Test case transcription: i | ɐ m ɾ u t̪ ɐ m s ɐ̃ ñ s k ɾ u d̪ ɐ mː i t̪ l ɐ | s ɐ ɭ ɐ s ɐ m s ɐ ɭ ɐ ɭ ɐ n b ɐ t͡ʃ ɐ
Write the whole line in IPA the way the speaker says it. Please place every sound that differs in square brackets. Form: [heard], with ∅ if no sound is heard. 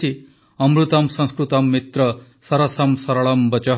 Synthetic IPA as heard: i | ɐ m ɾ u t̪ ɐ m s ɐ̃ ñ s k ɾ u [t̪] ɐ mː i t̪ [ɾ] ɐ | s ɐ [ɾ] ɐ s ɐ m s ɐ [ɾ] ɐ ɭ ɐ [m] b ɐ t͡ʃ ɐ